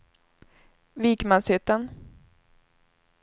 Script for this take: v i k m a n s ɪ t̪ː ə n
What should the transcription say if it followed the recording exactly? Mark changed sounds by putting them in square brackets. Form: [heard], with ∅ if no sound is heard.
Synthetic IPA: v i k m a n s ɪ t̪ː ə n